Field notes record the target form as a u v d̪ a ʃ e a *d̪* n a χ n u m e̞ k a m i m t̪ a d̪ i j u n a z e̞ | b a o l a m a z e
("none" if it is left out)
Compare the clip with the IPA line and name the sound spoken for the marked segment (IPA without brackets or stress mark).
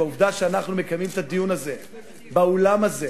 none